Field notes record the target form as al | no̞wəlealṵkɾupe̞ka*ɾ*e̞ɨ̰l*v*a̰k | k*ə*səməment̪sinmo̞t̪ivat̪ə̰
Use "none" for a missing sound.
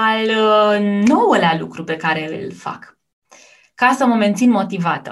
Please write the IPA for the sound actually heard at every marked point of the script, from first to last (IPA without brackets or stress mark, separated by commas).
ɾ, f, a